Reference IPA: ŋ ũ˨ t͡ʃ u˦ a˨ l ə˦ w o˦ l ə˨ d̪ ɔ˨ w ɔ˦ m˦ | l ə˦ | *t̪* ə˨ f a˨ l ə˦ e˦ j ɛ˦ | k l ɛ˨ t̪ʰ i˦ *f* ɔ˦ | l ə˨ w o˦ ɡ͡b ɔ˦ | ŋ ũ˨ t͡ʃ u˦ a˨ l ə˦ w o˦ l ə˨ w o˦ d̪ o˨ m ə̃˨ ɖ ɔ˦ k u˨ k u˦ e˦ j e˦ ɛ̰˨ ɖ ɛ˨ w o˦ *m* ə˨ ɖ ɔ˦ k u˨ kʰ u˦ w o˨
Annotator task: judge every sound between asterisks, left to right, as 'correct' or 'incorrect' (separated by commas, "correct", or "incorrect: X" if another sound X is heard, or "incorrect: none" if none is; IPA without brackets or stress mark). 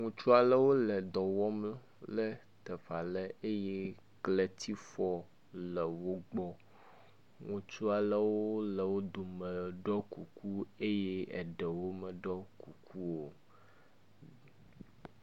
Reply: correct, correct, correct